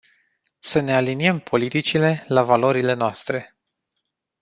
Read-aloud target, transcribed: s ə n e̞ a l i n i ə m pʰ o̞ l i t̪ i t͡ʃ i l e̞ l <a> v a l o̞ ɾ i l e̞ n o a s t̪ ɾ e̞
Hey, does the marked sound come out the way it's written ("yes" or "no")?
yes